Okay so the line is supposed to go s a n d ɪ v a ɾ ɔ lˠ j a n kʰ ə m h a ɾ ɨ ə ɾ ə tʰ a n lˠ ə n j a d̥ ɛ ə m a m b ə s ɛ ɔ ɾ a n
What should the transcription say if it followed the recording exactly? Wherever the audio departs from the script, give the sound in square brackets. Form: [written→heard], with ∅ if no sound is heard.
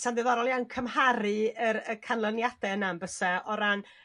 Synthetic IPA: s a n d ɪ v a ɾ ɔ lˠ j a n kʰ ə m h a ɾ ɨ ə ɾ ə [tʰ→kʰ] a n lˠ ə n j a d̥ ɛ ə [m→n] a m b ə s ɛ ɔ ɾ a n